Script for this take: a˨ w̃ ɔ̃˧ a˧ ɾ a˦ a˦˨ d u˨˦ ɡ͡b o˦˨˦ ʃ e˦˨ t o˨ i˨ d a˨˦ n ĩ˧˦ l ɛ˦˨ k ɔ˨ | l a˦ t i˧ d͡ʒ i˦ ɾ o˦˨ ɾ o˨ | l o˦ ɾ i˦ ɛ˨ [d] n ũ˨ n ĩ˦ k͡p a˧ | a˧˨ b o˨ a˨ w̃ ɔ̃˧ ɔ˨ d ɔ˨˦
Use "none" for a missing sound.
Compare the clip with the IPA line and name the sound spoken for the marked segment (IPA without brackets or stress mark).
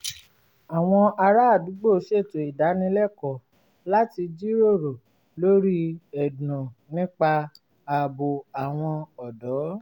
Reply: d